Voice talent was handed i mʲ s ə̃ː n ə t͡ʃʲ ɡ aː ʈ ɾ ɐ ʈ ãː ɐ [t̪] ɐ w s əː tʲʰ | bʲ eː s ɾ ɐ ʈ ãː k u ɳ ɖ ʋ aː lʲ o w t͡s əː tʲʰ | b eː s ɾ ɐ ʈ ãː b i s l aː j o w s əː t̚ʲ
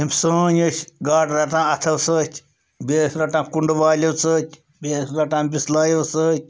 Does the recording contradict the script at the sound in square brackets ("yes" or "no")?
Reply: yes